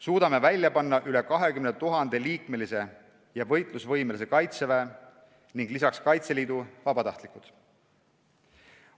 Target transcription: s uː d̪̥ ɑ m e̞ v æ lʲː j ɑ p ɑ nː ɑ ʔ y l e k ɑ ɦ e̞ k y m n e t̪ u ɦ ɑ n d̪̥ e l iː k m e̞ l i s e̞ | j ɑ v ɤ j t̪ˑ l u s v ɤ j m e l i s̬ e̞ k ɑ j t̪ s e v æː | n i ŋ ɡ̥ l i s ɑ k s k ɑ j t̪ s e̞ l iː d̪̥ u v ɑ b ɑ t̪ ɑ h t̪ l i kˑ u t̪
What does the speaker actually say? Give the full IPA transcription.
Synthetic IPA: s uː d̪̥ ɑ m e̞ v æ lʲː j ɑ p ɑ nː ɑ ʔ y l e k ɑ ɦ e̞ k y m n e t̪ u ɦ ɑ n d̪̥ e l iː k m e̞ l i s e̞ | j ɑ v ɤ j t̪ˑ l u s v ɤ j m e l i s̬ e̞ k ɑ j t̪ s e v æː | n i ŋ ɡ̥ l i s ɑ k s k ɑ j t̪ s e̞ l iː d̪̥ u v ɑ b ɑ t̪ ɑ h t̪ l i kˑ u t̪